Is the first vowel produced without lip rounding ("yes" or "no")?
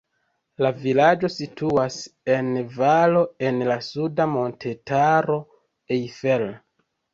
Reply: yes